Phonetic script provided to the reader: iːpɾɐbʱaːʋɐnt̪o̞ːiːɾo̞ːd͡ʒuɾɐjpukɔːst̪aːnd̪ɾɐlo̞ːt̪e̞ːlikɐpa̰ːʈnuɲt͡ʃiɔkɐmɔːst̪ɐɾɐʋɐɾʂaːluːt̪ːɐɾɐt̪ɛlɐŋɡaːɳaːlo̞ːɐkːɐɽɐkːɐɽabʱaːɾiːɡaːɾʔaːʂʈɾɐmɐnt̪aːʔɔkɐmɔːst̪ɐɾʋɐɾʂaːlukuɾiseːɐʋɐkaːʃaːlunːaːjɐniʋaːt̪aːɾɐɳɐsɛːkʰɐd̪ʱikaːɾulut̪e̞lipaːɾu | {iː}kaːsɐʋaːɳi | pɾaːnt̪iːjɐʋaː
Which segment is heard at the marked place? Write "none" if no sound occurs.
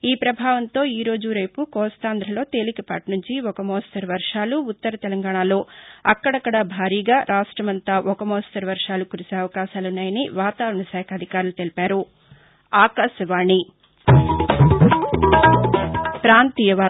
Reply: aː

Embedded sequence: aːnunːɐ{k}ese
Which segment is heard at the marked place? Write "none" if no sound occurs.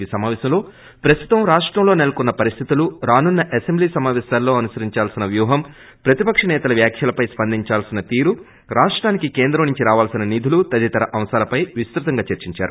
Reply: ʔ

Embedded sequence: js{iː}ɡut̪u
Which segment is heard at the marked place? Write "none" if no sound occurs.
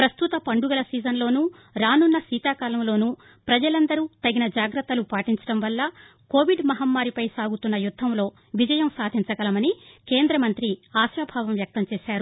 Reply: aː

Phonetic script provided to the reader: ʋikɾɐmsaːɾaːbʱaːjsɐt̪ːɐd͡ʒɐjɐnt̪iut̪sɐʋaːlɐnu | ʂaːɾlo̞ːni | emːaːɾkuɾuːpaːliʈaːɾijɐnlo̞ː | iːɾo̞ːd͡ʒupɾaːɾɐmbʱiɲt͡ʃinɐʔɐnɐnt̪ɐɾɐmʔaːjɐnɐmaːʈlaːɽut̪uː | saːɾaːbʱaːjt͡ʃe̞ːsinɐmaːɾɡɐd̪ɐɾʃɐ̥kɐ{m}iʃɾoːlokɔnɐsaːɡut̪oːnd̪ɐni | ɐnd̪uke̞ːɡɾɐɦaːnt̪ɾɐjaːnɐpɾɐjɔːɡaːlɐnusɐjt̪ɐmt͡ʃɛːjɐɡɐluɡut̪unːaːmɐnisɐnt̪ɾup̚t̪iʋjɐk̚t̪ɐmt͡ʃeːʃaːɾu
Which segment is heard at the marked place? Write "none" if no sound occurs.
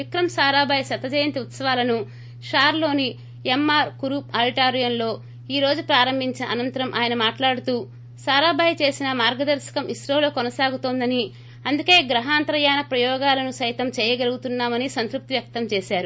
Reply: m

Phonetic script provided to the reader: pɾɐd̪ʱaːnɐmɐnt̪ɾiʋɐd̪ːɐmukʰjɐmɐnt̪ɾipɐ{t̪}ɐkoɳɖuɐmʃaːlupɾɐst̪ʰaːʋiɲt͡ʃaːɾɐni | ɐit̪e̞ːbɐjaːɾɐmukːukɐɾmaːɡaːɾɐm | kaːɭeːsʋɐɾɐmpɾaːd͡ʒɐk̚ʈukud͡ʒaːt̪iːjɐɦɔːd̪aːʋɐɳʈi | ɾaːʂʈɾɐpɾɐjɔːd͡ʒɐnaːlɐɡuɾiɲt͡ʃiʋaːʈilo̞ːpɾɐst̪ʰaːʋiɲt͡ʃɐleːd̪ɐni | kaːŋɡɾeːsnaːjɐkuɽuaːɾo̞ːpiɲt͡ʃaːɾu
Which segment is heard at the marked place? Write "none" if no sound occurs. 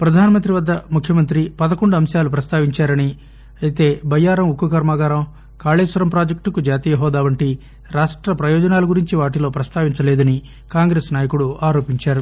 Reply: d̪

